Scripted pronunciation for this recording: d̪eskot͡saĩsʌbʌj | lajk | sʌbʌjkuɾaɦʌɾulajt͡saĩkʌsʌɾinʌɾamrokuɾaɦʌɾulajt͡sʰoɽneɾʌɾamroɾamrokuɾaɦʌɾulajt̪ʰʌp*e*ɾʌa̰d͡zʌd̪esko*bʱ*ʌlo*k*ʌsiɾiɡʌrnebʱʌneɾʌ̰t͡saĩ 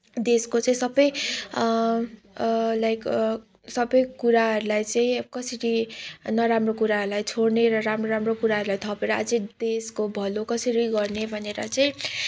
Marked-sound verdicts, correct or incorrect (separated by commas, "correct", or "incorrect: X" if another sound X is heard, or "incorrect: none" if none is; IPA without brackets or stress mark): correct, correct, correct